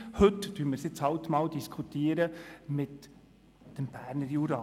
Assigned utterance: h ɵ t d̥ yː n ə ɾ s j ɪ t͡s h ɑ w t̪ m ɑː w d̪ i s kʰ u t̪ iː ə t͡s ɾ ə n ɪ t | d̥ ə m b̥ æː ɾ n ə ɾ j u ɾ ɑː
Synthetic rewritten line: h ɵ t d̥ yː m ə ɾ s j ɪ t͡s h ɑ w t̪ m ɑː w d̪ i s kʰ u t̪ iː ə ɾ ə m ɪ t | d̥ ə m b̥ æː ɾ n ə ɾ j u ɾ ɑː